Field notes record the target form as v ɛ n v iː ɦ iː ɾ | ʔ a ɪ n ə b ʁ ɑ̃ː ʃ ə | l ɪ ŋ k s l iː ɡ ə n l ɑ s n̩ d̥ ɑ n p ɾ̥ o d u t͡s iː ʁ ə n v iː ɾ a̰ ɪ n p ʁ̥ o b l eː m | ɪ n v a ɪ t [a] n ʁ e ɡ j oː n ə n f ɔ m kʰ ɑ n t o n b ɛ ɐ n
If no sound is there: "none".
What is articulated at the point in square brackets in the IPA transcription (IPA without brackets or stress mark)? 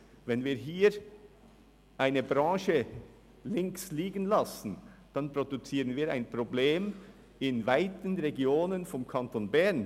ə